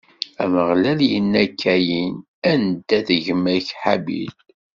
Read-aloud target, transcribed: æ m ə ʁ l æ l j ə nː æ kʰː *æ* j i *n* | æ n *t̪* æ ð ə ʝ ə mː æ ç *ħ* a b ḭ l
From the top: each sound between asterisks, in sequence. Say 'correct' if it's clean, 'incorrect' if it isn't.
correct, correct, incorrect, correct

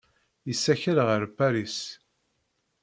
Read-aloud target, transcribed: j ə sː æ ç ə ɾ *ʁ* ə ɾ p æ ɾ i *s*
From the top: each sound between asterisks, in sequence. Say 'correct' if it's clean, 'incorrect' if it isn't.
correct, correct

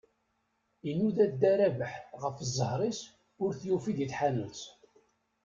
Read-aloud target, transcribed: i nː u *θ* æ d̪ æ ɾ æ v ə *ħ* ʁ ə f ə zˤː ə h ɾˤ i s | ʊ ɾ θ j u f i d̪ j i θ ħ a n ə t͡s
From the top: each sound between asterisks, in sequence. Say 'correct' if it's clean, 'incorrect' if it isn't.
incorrect, correct

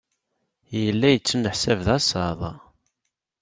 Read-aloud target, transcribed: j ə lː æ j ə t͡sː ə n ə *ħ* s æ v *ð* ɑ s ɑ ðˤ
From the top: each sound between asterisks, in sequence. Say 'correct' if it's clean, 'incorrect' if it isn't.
correct, correct

